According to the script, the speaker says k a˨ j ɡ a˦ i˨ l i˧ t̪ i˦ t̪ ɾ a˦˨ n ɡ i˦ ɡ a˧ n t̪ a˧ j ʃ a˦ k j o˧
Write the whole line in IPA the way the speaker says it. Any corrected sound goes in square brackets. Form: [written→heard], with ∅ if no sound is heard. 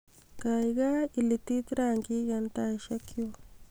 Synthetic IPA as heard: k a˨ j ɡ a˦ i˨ l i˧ t̪ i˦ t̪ ɾ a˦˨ [n→ŋ] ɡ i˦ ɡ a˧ n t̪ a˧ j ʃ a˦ k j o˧